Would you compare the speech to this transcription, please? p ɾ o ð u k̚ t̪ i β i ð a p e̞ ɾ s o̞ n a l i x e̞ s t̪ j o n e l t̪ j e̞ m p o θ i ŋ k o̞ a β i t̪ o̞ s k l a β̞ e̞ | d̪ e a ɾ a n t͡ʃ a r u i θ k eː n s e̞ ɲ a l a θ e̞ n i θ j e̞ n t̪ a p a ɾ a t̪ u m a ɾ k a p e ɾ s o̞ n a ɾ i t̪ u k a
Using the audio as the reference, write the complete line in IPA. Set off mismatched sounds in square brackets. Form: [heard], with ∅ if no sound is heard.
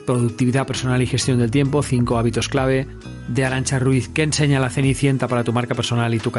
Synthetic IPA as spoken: p ɾ o ð u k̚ t̪ i β i ð a p e̞ ɾ s o̞ n a l i x e̞ s t̪ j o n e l t̪ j e̞ m p o θ i ŋ k o̞ a β i t̪ o̞ s k l a β̞ e̞ | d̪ e a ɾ a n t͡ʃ a r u i θ k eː n s e̞ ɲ a l a θ e̞ n i θ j e̞ n t̪ a p a ɾ a t̪ u m a ɾ k a p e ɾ s o̞ n a [l] i t̪ u k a